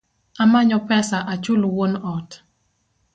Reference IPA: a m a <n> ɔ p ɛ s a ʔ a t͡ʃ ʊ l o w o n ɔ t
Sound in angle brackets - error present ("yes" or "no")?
yes